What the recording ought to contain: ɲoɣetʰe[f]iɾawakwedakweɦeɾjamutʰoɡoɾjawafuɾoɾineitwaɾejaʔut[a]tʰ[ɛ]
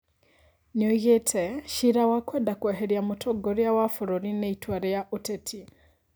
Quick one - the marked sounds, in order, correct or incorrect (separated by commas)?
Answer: incorrect, incorrect, incorrect